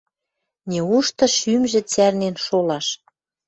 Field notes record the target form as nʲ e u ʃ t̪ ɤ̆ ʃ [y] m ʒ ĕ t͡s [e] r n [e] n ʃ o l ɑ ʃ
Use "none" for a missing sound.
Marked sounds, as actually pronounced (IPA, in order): y, æ, e

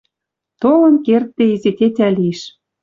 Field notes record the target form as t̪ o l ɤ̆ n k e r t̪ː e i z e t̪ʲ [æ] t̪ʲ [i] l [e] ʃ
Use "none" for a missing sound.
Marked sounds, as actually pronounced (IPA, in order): e, æ, i

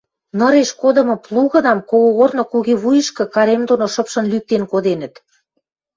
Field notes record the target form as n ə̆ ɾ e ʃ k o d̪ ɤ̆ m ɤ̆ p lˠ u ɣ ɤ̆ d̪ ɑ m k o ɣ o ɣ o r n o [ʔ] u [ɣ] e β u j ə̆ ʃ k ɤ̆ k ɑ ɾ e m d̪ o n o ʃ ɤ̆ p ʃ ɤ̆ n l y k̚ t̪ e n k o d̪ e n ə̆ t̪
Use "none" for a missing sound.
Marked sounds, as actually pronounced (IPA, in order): k, ɣ

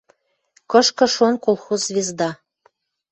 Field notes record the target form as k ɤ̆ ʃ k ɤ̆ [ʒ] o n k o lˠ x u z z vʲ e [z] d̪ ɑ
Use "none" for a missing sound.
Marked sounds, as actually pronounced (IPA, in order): ʃ, z

